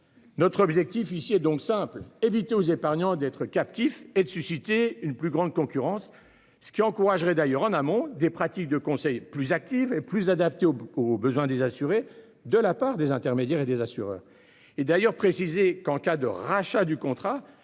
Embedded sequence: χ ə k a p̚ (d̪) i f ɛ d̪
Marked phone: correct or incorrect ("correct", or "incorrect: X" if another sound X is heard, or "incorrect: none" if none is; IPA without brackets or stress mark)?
incorrect: t̪